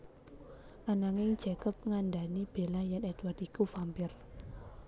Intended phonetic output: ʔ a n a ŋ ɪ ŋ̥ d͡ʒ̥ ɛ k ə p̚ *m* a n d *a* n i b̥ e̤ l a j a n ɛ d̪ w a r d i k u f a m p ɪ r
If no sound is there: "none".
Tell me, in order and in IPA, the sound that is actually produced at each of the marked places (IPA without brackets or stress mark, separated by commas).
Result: ŋ, a